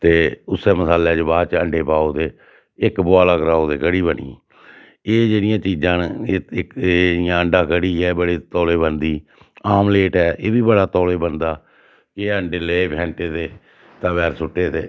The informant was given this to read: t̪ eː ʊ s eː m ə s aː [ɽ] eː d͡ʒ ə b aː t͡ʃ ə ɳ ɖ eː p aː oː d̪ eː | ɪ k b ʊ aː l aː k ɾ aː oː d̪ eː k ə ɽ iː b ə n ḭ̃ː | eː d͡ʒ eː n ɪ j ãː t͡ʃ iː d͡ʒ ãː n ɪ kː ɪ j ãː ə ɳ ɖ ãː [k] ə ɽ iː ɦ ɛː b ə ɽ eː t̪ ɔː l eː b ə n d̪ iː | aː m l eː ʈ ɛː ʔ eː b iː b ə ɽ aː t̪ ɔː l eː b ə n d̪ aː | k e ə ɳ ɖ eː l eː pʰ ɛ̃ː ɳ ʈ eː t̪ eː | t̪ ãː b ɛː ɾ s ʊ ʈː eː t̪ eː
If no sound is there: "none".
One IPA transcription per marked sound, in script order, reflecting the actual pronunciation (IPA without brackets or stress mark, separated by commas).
l, k